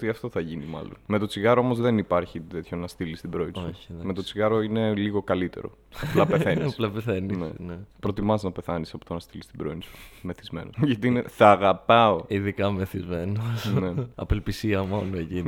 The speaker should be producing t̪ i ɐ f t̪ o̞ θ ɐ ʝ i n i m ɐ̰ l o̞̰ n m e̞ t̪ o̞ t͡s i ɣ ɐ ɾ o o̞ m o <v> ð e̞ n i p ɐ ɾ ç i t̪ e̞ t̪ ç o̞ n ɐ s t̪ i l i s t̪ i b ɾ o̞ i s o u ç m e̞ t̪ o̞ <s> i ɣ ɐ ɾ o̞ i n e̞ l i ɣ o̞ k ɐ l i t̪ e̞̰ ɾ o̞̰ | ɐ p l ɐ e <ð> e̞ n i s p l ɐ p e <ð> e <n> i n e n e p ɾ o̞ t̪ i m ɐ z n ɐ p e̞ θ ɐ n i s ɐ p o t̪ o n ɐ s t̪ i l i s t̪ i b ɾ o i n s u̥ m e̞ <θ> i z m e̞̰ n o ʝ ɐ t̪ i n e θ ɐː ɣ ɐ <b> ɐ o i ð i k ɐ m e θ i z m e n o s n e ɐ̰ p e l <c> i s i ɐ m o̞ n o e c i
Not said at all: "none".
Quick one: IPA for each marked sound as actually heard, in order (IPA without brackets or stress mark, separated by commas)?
z, t͡s, θ, θ, n, θ, p, p